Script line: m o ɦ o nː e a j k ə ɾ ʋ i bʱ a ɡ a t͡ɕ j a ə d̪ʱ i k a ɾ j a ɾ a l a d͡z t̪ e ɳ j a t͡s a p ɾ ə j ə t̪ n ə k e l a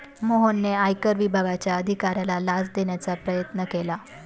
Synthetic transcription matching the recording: m o ɦ o nː e a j k ə ɾ ʋ i bʱ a ɡ a t͡ɕ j a ə d̪ʱ i k a ɾ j a l a l a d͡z d̪ e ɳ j a t͡s a p ɾ ə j ə t̪ n ə k e l a

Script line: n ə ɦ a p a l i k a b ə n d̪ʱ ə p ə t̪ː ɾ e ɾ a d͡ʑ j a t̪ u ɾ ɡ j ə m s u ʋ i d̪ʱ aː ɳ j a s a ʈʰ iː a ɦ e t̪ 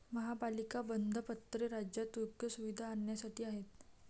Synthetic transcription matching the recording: m ə ɦ a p a l i k a b ə n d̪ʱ ə p ə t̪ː ɾ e ɾ a d͡ʑ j a t̪ u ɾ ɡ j ə s u ʋ i d̪ʱ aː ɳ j a s a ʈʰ iː a ɦ e t̪

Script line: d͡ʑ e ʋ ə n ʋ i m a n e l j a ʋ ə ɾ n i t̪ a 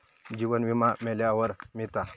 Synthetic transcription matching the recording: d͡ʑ i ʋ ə n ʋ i m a m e l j a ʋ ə ɾ m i t̪ a

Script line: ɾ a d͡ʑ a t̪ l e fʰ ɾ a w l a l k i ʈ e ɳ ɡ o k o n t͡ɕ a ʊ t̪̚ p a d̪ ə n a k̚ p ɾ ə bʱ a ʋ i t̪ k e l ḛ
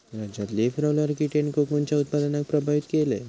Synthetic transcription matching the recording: ɾ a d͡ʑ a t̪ l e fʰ ɾ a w l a ɾ k i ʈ e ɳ k o k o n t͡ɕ a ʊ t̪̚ p a d̪ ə n a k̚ p ɾ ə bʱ a ʋ i t̪ k e l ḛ

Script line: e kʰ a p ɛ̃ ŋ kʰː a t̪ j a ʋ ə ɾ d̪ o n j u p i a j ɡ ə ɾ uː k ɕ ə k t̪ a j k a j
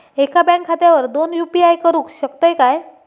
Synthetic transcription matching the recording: e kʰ a b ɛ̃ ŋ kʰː a t̪ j a ʋ ə ɾ d̪ o n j u p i a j k ə ɾ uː k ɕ ə k t̪ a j k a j

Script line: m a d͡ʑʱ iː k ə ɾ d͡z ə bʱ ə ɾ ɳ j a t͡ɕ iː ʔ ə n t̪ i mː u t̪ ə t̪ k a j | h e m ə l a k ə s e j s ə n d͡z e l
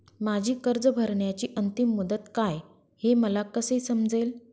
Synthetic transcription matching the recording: m a d͡ʑʱ iː k ə ɾ d͡z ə bʱ ə ɾ ɳ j a t͡ɕ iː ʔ ə n t̪ i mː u d̪ ə t̪ k a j | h e m ə l a k ə s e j s ə m d͡z e l

